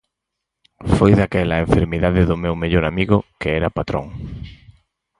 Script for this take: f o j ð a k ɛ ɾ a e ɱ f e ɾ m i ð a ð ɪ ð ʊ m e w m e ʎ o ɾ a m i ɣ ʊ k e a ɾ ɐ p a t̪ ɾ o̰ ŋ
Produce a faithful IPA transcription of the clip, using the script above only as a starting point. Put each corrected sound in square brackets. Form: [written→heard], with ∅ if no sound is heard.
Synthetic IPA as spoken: f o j ð a k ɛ [ɾ→l] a e ɱ f e ɾ m i ð a ð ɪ ð ʊ m e w m e ʎ o ɾ a m i ɣ ʊ k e [a→ɛ] ɾ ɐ p a t̪ ɾ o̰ ŋ

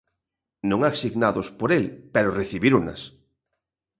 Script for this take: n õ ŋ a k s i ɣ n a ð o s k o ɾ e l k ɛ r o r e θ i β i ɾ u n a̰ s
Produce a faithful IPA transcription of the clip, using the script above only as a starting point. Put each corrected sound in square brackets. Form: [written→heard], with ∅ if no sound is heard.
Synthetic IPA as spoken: n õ ŋ a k s i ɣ n a ð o s [k→p] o ɾ e l [k→p] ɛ [r→ɾ] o r e θ i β i ɾ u n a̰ s

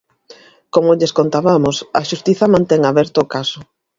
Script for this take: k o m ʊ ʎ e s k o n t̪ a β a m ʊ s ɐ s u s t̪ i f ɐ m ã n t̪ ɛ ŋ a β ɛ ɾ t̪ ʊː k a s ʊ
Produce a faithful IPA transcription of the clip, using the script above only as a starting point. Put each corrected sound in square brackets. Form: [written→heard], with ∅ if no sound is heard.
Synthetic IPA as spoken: k o m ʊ ʎ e s k o n t̪ a β a m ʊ s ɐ [s→ʃ] u s t̪ i [f→θ] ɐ m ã n t̪ ɛ ŋ a β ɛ ɾ t̪ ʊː k a s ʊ

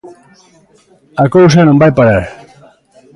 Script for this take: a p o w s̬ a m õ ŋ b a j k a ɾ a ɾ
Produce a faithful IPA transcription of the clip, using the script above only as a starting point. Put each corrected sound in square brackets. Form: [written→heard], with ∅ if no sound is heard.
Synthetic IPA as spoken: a [p→k] o w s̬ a [m→n] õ [ŋ→m] b a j [k→p] a ɾ a ɾ

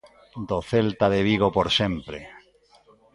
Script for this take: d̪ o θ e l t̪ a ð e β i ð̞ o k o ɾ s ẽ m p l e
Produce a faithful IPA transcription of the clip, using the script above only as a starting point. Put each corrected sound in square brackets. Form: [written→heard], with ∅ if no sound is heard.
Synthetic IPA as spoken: d̪ o θ e l t̪ a ð e β i [ð̞→ɣ̞] o [k→p] o ɾ s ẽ m p [l→ɾ] e

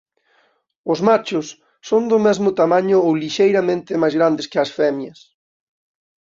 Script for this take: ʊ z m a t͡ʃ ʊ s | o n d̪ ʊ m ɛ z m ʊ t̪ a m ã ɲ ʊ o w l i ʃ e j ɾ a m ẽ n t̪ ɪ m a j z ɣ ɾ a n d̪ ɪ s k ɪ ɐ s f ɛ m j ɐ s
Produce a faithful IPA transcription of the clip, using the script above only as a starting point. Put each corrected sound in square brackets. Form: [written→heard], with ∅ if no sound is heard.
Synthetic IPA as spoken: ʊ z m a t͡ʃ ʊ [s→sː] | o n d̪ ʊ m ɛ z m ʊ t̪ a m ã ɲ ʊ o w l i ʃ e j ɾ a m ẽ n t̪ ɪ m a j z ɣ ɾ a n d̪ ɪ s k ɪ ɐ s f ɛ m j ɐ s

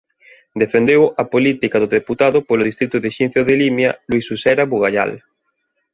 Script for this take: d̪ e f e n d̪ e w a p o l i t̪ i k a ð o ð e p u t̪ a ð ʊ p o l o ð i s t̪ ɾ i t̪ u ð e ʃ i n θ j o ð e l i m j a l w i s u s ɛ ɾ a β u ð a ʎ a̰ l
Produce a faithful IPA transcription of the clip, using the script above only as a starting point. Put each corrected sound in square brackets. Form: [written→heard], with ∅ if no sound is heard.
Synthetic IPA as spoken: d̪ e f e n d̪ e w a p o l i t̪ i k a ð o ð e p u t̪ a ð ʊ p o l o ð i s t̪ ɾ i t̪ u ð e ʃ i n θ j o ð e l i m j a l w i s u s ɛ ɾ a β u [ð→ɣ] a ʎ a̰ l

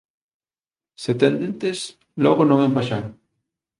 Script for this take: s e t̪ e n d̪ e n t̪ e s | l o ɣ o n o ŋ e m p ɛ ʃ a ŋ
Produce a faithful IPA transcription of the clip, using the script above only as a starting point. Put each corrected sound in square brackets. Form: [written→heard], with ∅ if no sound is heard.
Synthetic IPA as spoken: s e t̪ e n d̪ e n t̪ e s | l o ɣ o n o ŋ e m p [ɛ→a] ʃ a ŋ

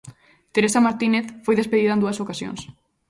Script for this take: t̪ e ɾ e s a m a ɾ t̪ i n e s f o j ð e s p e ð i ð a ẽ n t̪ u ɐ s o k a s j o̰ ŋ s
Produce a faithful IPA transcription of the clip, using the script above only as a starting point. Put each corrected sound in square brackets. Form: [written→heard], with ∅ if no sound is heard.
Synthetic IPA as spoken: t̪ e ɾ e s a m a ɾ t̪ i n e [s→θ] f o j ð e s p e ð i ð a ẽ n [t̪→d̪] u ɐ s o k a s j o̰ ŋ s

